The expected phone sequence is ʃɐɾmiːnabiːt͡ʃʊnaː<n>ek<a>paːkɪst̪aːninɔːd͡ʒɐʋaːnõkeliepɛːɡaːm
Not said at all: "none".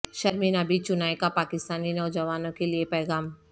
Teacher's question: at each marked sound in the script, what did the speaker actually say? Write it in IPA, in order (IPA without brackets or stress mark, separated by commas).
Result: none, a